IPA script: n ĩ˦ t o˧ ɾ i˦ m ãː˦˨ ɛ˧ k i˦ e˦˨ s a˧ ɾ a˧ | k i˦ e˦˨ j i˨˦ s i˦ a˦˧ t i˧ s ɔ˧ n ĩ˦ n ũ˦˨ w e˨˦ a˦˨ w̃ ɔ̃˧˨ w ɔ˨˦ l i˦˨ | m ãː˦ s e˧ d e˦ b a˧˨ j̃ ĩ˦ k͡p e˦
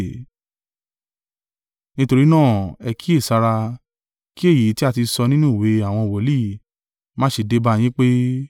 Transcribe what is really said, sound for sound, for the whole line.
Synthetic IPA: n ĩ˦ t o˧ ɾ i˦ n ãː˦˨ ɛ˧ k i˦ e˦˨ s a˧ ɾ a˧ | k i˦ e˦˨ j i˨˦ t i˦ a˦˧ t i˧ s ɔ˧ n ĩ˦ n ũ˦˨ w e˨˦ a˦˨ w̃ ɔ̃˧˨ w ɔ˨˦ l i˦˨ | m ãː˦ ʃ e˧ d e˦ b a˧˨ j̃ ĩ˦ k͡p e˦